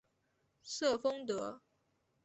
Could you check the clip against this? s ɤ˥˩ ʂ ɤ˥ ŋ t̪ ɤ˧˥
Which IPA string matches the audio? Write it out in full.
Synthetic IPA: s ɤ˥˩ f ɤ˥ ŋ t̪ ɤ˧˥

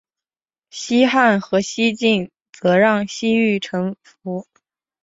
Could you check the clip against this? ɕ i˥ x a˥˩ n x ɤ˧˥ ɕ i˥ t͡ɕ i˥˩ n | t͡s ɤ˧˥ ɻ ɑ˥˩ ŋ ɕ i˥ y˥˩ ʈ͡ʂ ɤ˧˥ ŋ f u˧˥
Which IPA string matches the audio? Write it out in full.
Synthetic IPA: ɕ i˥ x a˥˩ n x ɤ˧˥ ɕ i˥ t͡ɕ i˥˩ n | t͡s ɤ˧˥ ɻ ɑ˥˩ ŋ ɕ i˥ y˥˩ ʈ͡ʂʰ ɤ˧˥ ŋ f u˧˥

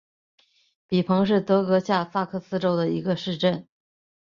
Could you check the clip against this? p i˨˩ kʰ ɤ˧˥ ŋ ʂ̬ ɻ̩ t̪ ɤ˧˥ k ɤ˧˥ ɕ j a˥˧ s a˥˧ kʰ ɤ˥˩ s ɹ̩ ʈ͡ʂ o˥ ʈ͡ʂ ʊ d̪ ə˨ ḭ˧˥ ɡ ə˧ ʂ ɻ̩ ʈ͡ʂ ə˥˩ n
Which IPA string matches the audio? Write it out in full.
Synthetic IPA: p i˨˩ pʰ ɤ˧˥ ŋ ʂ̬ ɻ̩ t̪ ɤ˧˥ k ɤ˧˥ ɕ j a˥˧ s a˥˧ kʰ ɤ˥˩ s ɹ̩ ʈ͡ʂ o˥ ʊ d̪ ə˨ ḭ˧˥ ɡ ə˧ ʂ ɻ̩ ʈ͡ʂ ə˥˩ n

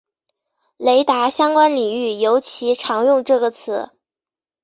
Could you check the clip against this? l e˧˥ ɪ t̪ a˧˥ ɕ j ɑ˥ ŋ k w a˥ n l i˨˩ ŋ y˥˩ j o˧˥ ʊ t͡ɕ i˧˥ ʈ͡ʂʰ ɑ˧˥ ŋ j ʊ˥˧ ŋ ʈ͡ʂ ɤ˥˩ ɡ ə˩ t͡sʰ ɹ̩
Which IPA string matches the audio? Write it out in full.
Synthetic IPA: l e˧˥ ɪ t̪ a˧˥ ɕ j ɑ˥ ŋ k w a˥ n l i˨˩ ŋ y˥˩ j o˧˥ ʊ t͡ɕʰ i˧˥ ʈ͡ʂʰ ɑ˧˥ ŋ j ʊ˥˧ ŋ ʈ͡ʂ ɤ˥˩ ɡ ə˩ t͡sʰ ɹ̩

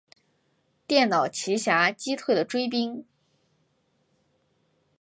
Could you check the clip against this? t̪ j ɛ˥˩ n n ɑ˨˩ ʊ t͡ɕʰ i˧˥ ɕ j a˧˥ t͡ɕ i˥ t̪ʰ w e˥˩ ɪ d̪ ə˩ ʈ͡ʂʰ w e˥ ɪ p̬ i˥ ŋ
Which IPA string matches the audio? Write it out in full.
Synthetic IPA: t̪ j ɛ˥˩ n n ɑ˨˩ ʊ t͡ɕʰ i˧˥ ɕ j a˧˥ t͡ɕ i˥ t̪ʰ w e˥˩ ɪ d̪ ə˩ ʈ͡ʂ w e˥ ɪ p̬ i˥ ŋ

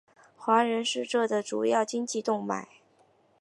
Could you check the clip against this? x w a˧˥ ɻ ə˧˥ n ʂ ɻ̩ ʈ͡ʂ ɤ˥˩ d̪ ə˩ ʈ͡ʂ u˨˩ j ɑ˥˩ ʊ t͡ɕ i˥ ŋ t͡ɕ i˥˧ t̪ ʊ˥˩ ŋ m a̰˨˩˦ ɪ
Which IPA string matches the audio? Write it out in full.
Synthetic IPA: x w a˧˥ ɻ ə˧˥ n ʂ ɻ̩ ʈ͡ʂ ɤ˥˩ d̪ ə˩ ʈ͡ʂ u˨˩ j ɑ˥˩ ʊ t͡ɕ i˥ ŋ t͡ɕ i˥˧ t̪ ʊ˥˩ ŋ m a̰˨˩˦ ɪ

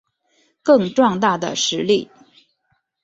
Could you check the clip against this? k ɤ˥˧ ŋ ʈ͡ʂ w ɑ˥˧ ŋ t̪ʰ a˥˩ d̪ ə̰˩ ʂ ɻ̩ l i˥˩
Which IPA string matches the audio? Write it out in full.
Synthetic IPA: k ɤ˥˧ ŋ ʈ͡ʂ w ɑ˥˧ ŋ t̪ a˥˩ d̪ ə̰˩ ʂ ɻ̩ l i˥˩

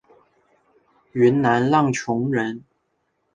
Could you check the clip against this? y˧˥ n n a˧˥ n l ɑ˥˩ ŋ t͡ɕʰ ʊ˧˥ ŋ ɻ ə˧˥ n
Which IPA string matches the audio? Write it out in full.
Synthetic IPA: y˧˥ n n a˧˥ n l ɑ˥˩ ŋ t͡ɕʰ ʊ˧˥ ŋ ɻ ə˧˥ n

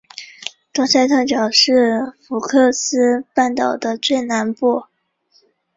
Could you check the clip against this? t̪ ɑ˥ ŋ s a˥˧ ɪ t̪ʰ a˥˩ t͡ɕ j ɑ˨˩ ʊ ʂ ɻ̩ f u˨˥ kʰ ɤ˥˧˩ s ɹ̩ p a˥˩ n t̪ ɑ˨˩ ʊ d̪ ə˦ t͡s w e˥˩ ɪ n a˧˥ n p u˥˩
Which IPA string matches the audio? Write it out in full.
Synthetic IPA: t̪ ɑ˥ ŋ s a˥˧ ɪ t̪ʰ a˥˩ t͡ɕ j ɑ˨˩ ʊ ʂ ɻ̩ f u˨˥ kʰ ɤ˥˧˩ s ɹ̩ p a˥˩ n t̪ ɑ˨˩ ʊ d̪ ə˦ t͡s w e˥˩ ɪ n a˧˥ n p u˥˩

